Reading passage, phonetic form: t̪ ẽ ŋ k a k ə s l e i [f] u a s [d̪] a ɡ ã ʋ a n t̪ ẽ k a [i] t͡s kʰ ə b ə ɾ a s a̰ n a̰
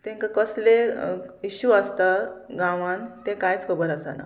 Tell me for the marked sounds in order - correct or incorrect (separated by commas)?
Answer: incorrect, incorrect, incorrect